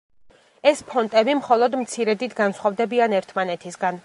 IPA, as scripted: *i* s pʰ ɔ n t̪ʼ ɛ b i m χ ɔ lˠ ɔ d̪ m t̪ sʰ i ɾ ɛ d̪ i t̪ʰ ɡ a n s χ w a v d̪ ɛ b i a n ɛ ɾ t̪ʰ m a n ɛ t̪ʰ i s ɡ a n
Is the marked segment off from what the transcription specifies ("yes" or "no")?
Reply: yes